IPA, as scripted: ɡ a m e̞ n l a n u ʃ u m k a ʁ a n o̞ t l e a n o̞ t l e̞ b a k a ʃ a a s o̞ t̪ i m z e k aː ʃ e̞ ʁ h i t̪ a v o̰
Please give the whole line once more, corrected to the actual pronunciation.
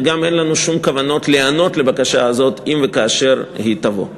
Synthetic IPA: ɡ a m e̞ n l a n u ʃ u m k a v a n o̞ t l e a n o̞ t l e̞ b a k a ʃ a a z o̞ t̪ i m v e k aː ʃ e̞ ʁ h i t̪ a v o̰